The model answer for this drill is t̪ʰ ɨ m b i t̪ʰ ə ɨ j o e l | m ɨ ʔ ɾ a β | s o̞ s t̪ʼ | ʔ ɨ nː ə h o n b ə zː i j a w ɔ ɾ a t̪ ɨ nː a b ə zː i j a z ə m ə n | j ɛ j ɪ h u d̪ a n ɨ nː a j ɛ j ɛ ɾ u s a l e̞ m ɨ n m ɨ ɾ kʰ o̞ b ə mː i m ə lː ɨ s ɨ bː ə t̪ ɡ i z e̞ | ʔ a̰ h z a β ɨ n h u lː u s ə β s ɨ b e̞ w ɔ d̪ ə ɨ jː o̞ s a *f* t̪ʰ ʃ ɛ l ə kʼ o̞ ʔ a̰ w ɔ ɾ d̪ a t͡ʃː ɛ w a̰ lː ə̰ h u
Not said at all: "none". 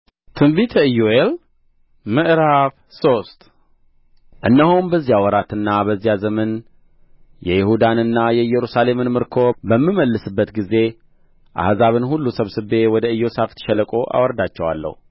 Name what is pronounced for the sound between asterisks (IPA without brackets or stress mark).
f